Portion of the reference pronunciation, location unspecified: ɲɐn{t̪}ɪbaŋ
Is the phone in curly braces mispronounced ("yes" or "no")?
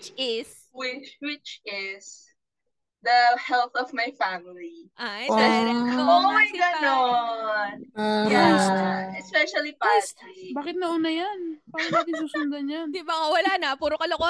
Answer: yes